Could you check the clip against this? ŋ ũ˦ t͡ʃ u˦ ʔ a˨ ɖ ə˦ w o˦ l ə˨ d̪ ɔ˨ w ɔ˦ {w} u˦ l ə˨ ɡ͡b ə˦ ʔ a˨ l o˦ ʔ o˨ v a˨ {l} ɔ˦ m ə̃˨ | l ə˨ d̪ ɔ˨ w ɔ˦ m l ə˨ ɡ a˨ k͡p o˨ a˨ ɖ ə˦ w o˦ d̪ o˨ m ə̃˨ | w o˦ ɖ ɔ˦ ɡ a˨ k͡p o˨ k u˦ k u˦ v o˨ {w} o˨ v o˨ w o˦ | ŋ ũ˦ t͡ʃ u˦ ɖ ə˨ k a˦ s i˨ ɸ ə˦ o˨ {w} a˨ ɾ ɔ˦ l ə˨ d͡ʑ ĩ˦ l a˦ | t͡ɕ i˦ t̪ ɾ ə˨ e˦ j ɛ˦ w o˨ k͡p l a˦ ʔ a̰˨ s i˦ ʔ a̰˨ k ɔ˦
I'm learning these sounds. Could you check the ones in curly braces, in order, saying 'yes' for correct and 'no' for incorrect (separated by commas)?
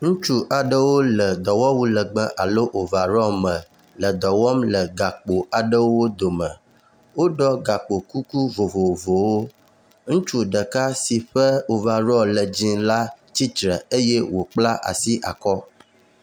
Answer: yes, no, no, no